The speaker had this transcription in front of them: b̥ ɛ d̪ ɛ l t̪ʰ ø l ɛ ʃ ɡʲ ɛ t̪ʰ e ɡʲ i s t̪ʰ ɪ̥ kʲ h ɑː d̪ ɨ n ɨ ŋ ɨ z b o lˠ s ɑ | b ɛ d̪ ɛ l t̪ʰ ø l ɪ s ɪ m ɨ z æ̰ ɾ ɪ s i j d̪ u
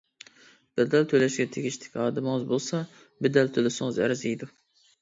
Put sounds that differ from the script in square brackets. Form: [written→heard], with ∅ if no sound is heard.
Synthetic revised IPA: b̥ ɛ d̪ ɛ l t̪ʰ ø l ɛ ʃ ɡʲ ɛ t̪ʰ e ɡʲ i [s→ʃ] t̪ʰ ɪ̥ kʲ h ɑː d̪ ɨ [n→m] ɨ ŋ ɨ z b o lˠ s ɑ | b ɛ d̪ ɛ l t̪ʰ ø l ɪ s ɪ [m→ŋ] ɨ z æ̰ ɾ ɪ [s→z] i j d̪ u